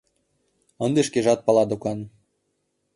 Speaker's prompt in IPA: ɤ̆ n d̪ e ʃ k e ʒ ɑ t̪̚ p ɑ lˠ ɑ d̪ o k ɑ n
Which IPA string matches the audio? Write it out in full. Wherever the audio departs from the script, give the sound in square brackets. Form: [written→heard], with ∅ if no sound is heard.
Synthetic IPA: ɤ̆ n d̪ e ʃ k e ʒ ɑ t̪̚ p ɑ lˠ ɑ d̪ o k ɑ n